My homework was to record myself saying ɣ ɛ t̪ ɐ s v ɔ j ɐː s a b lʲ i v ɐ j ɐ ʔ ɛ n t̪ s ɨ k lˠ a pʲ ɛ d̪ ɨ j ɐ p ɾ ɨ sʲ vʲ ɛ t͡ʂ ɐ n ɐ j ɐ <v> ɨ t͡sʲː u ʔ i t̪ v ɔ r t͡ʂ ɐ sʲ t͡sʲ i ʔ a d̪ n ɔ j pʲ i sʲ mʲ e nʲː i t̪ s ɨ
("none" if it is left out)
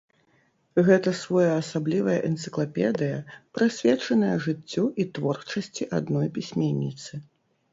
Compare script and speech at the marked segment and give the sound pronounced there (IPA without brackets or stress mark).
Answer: ʐ